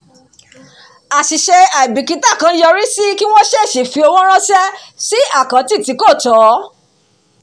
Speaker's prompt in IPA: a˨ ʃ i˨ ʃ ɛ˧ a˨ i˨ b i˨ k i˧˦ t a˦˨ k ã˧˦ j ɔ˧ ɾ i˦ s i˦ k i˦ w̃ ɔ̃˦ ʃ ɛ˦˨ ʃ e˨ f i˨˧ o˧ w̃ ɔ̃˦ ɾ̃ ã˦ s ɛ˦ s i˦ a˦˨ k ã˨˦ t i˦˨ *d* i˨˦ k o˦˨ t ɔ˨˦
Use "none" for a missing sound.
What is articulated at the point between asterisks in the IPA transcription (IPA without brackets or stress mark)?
t